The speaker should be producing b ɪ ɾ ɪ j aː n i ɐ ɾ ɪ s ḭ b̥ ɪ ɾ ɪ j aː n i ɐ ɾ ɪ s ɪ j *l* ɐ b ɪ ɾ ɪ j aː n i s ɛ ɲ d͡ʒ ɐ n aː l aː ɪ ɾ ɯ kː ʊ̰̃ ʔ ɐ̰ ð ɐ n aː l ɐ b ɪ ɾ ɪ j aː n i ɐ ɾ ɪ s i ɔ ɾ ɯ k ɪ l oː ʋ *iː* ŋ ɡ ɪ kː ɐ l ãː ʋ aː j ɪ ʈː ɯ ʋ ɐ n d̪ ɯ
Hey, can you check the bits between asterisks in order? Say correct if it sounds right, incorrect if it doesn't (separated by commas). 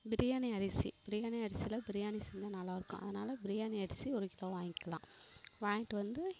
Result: correct, incorrect